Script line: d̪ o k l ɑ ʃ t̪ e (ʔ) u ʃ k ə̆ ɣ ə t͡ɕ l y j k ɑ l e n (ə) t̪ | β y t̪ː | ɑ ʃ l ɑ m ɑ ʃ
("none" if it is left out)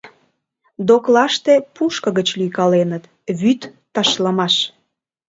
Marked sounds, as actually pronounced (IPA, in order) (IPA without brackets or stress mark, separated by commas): p, ə